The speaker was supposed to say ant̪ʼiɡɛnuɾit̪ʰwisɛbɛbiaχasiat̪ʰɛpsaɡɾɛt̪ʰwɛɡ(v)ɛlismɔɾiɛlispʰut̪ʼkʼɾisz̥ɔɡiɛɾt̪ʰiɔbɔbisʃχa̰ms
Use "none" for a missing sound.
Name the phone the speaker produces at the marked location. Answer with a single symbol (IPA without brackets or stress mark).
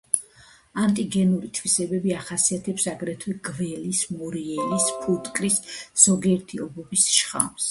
v